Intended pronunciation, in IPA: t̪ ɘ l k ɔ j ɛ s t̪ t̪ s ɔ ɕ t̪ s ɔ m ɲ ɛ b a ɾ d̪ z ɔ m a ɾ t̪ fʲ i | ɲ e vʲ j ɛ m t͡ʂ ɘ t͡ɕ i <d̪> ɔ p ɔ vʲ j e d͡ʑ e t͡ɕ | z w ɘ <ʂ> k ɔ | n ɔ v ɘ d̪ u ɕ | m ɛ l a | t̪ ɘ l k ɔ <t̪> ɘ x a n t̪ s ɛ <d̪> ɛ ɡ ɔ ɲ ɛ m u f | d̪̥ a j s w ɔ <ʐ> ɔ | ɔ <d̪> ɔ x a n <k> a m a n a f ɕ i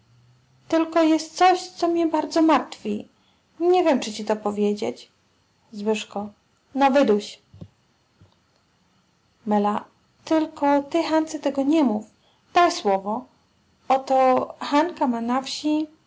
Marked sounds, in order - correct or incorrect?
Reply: incorrect: t̪, correct, correct, incorrect: t̪, incorrect: v, incorrect: t̪, correct

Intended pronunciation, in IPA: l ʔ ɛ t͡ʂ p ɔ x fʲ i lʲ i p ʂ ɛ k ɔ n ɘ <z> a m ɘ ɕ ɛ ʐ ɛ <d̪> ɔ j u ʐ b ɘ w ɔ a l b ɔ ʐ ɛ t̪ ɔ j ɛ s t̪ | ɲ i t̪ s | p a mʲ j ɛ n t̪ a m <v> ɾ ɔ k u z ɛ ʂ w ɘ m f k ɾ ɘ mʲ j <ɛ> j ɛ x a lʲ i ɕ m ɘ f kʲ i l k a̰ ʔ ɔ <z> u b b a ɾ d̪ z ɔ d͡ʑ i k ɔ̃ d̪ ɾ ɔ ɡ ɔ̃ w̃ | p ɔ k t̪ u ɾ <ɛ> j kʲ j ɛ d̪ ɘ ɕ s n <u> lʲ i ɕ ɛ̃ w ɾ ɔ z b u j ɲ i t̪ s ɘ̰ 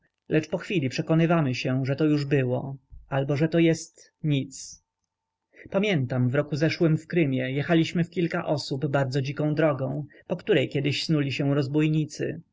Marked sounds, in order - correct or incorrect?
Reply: incorrect: v, incorrect: t̪, correct, correct, incorrect: s, correct, correct

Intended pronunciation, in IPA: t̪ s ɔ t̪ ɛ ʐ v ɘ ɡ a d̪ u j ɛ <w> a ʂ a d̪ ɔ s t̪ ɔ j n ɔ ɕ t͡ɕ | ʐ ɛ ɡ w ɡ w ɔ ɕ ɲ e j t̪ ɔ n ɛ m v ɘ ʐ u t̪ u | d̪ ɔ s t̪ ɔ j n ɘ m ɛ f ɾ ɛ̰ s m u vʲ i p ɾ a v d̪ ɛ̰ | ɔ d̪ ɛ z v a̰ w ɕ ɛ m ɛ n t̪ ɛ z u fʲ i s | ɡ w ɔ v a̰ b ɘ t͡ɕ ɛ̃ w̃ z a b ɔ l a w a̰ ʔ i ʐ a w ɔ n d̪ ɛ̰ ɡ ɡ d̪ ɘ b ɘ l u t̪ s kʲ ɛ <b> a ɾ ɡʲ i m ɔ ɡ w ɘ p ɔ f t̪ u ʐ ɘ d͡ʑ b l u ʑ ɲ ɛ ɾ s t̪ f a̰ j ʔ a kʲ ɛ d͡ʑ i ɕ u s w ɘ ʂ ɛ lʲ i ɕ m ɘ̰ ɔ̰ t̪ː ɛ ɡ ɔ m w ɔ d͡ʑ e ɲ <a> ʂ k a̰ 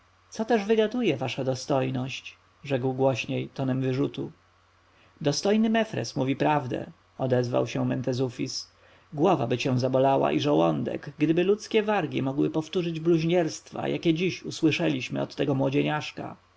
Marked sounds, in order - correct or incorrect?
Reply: incorrect: v, incorrect: v, correct

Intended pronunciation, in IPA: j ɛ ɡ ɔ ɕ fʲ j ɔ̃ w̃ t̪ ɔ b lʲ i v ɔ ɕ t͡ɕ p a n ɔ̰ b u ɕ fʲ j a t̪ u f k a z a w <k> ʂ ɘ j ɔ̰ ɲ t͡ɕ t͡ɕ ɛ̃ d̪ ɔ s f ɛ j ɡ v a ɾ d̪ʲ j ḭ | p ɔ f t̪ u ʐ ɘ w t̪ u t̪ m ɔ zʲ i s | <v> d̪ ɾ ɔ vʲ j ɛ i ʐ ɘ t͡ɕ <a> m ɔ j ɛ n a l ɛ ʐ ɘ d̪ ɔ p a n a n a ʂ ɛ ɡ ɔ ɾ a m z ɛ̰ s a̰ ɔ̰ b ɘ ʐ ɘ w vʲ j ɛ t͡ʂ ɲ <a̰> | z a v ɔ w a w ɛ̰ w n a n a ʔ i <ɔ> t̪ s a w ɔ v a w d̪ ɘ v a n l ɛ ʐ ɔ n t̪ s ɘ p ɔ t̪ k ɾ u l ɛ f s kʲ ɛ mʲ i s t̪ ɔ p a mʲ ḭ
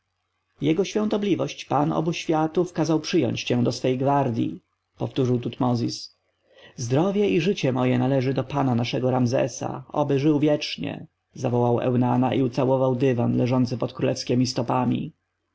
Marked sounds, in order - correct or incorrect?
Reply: incorrect: p, incorrect: z, incorrect: ɛ, incorrect: ɛ̰, incorrect: u

